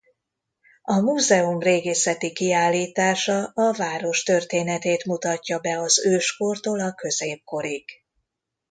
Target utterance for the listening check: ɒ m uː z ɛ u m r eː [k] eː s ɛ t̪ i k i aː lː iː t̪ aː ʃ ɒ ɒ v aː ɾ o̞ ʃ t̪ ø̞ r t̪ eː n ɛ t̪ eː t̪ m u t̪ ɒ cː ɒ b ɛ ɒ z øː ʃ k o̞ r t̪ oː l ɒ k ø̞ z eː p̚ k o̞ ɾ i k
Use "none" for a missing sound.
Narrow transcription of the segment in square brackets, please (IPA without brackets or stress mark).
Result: ɡ